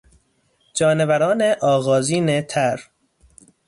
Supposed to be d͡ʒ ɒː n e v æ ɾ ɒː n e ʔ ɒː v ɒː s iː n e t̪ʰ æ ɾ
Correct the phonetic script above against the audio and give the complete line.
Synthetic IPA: d͡ʒ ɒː n e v æ ɾ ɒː n e ʔ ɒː ɣ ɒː z iː n e t̪ʰ æ ɾ